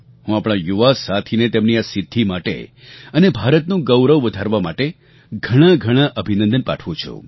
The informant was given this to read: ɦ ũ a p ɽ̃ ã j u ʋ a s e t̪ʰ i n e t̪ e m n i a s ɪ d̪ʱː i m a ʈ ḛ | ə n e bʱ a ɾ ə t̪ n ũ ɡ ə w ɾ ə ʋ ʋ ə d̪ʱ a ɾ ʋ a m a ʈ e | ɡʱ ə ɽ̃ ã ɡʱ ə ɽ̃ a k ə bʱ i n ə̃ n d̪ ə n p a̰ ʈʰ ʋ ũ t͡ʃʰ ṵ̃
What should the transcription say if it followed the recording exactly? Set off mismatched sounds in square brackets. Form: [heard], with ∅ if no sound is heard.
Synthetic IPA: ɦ ũ a p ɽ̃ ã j u ʋ a s [a] t̪ʰ i n e t̪ e m n i a s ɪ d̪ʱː i m a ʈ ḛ | ə n e bʱ a ɾ ə t̪ n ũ ɡ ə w ɾ ə ʋ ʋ ə d̪ʱ a ɾ ʋ a m a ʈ e | ɡʱ ə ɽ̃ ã ɡʱ ə ɽ̃ a [ʔ] ə bʱ i n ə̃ n d̪ ə n p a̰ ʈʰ ʋ ũ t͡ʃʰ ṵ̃